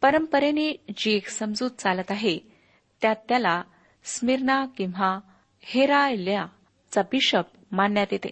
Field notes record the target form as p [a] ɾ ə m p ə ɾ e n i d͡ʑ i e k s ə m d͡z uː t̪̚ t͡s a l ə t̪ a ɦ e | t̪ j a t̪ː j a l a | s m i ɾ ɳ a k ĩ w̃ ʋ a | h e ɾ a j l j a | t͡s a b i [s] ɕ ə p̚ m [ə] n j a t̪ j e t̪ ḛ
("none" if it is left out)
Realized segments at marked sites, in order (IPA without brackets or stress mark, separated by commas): ə, none, a